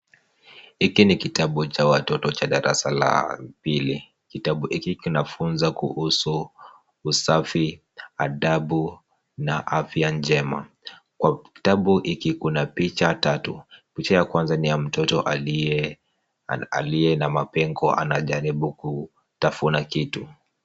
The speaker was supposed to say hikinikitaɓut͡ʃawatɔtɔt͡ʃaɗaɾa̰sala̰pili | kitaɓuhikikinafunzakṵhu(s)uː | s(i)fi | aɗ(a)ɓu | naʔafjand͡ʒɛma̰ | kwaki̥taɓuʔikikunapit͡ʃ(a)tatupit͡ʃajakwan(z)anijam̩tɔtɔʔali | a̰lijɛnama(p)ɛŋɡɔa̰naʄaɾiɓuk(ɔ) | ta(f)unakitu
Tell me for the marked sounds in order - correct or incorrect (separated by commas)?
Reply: correct, incorrect, correct, correct, correct, correct, incorrect, correct